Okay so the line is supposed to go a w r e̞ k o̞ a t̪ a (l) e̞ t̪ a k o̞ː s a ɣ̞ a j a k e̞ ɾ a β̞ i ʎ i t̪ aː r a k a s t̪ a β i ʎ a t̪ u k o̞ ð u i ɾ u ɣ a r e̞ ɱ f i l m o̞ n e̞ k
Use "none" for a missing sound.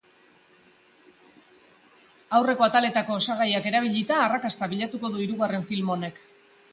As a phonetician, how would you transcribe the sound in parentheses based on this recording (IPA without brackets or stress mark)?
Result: l